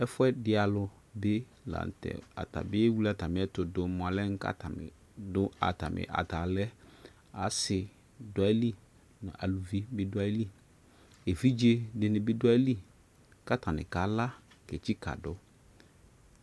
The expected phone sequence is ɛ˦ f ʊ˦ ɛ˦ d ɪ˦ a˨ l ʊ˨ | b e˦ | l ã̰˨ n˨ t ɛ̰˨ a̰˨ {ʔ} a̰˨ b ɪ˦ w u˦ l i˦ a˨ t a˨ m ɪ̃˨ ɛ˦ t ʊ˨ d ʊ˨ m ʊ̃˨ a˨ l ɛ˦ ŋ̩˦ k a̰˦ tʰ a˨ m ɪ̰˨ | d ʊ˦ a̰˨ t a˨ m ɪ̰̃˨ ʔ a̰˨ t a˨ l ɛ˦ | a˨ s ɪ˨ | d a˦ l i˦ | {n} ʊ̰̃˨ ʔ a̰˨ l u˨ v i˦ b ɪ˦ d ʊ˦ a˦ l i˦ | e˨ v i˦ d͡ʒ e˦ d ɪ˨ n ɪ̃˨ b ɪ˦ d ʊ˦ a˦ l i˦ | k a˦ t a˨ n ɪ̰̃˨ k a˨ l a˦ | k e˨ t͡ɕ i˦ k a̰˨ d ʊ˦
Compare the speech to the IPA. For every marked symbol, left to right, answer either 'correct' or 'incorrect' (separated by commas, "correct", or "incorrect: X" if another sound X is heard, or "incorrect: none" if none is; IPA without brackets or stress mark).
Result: incorrect: t, correct